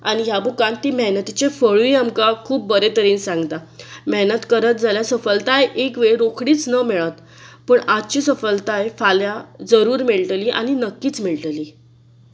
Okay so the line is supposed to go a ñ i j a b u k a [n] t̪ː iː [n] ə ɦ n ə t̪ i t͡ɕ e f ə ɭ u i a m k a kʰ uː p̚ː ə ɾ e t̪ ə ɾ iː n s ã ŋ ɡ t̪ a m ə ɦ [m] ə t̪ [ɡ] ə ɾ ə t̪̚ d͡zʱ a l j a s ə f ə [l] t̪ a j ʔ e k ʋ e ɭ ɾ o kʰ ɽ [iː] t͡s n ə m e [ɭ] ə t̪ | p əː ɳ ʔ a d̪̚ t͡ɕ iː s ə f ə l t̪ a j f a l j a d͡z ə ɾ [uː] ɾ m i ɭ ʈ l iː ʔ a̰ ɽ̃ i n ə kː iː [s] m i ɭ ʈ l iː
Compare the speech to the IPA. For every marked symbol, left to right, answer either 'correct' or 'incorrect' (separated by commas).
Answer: correct, incorrect, incorrect, incorrect, correct, correct, correct, correct, incorrect